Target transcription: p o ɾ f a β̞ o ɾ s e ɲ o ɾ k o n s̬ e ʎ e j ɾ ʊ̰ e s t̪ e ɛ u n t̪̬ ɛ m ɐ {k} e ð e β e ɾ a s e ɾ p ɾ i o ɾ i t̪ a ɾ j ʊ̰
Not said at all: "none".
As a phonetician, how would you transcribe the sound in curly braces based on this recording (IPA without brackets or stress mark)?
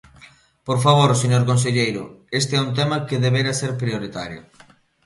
k